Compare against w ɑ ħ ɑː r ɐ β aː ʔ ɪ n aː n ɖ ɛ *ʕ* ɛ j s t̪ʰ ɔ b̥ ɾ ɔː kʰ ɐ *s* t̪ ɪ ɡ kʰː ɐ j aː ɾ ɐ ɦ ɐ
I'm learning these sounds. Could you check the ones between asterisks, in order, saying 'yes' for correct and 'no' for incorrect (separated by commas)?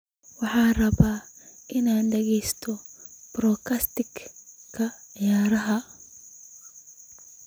no, yes